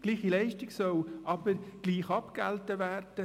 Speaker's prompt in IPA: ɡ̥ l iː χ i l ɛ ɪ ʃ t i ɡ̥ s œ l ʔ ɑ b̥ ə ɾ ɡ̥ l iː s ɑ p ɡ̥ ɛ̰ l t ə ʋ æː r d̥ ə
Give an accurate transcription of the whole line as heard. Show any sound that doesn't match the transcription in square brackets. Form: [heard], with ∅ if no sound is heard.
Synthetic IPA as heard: ɡ̥ l iː χ i l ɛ ɪ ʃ t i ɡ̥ s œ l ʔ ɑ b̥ ə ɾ ɡ̥ l iː [χ] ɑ p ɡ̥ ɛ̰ l t ə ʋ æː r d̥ ə